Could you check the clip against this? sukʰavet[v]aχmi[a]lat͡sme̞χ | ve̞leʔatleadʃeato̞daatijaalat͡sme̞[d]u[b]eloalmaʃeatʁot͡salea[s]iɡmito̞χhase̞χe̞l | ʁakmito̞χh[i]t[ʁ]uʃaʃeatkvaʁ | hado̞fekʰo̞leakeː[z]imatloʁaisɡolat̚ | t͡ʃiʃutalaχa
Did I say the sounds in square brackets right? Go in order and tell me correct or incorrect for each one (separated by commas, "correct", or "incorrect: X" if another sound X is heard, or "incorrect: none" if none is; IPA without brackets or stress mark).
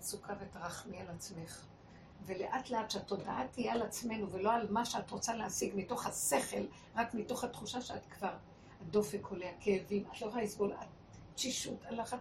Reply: incorrect: ʁ, correct, incorrect: n, incorrect: v, correct, incorrect: a, incorrect: χ, incorrect: v